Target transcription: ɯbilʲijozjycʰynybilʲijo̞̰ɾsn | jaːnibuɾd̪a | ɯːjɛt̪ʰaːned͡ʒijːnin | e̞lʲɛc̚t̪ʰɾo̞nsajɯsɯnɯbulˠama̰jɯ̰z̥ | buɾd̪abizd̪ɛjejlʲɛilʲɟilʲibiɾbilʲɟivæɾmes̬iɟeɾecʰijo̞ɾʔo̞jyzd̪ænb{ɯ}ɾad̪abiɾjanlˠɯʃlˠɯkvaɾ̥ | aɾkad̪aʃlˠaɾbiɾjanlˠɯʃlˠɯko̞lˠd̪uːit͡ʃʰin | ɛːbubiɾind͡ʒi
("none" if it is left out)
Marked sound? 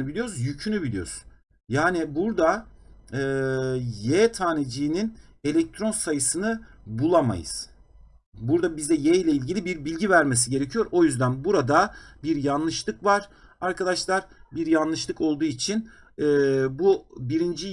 u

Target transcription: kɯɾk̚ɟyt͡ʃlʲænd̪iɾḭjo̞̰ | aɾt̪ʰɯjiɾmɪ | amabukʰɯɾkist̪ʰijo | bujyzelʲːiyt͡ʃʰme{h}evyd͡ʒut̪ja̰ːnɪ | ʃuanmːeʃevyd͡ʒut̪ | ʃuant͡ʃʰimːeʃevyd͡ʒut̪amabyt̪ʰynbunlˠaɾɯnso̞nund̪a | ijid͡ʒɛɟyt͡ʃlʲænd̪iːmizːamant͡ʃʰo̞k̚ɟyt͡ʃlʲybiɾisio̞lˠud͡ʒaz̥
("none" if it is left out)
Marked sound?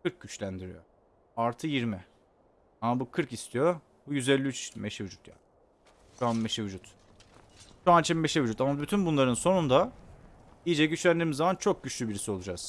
ʃ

